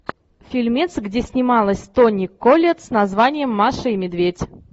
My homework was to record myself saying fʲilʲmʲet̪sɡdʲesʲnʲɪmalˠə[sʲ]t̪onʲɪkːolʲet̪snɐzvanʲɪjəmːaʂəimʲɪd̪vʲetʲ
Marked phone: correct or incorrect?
correct